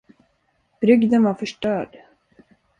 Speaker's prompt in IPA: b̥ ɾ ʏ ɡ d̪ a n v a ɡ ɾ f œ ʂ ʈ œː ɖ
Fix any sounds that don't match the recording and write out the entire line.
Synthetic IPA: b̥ ɾ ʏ ɡ d̪ ə n v a ɾ f œ ʂ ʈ œː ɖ

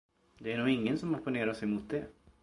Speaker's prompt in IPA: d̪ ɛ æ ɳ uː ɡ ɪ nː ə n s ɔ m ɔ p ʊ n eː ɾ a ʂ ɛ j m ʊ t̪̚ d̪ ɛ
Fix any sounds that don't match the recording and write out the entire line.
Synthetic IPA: d̪ ɛ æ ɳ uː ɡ ɪ ŋː ə n s ɔ m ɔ p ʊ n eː ɾ a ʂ ɛ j m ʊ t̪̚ d̪ ɛ

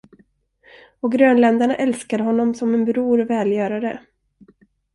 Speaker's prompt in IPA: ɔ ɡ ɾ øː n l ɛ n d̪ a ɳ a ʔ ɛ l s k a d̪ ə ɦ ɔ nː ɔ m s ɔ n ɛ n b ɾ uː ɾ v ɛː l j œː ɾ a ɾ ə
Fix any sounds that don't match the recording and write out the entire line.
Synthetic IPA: ɔ ɡ ɾ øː n l ɛ n d̪ a ɳ a ʔ ɛ l s k a d̪ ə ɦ ɔ nː ɔ m s ɔ m ɛ n b ɾ uː ɾ v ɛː l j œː ɾ a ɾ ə

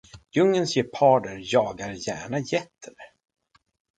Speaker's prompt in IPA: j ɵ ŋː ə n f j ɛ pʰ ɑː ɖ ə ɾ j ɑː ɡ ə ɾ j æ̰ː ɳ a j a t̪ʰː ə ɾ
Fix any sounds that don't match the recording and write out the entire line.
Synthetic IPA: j ɵ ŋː ə n s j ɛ pʰ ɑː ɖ ə ɾ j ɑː ɡ a ɾ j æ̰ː ɳ a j ɛ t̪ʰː ə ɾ

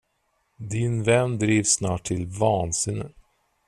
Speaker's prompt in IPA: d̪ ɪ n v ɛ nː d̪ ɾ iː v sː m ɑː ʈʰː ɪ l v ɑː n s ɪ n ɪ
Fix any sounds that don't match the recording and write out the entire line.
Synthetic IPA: d̪ ɪ n v ɛ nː d̪ ɾ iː v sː n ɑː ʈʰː ɪ l v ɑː n s ɪ n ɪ

